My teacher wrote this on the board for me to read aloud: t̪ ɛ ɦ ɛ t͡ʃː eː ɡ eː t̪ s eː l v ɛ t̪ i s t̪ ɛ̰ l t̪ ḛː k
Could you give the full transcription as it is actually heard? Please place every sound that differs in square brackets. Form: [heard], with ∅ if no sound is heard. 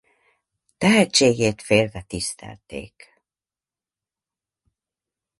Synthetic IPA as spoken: t̪ ɛ ɦ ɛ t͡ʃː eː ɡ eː t̪ [f] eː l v ɛ t̪ i s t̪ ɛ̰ l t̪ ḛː k